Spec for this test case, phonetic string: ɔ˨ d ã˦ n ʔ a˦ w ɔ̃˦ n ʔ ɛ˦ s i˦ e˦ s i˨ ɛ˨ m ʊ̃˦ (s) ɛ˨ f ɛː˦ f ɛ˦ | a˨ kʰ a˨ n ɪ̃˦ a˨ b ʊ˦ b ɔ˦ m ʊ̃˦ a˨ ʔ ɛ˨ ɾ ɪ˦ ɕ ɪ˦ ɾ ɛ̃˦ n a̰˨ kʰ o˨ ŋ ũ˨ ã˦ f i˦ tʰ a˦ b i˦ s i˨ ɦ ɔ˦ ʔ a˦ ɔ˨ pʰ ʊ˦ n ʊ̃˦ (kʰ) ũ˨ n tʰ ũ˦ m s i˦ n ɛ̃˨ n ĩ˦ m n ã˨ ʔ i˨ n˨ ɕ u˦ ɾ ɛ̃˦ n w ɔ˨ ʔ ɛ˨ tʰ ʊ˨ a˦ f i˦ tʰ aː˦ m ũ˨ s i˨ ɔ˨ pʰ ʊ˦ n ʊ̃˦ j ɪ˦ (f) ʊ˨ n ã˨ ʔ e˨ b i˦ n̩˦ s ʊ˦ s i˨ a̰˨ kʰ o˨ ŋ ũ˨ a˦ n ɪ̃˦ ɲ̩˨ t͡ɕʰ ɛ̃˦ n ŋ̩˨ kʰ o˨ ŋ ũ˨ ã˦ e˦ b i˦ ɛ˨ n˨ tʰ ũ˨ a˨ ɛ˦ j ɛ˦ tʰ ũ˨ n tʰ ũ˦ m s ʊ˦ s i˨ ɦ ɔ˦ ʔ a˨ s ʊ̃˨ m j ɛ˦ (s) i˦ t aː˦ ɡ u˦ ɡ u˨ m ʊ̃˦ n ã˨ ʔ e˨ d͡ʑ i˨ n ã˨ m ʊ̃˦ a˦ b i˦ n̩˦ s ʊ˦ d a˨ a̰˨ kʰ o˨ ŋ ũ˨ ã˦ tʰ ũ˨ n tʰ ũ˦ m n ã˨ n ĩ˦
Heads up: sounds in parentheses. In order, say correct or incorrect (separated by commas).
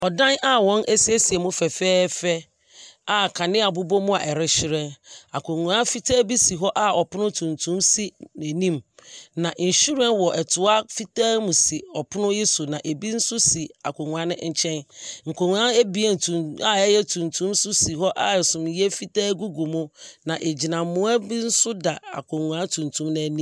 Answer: incorrect, incorrect, incorrect, incorrect